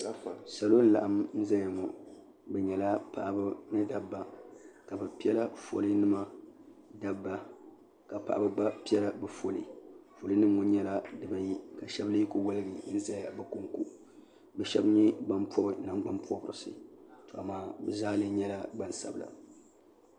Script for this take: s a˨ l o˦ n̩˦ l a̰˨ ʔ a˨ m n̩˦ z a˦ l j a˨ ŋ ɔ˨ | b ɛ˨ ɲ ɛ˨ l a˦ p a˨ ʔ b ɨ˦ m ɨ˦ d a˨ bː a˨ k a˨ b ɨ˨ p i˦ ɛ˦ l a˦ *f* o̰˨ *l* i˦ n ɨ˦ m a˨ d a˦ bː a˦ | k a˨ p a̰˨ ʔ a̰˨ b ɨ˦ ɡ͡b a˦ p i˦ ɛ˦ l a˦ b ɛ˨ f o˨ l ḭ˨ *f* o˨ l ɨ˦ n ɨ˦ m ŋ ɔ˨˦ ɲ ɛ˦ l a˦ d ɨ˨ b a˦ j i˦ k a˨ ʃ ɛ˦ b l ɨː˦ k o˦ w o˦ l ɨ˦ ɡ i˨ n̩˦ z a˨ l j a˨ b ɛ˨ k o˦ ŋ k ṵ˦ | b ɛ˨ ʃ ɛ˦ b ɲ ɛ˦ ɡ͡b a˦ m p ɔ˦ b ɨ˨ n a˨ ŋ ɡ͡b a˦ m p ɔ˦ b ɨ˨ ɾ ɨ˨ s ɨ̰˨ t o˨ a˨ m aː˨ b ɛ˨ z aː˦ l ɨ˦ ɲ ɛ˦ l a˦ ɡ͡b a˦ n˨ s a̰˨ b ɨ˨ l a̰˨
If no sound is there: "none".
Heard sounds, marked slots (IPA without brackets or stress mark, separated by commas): f, l, f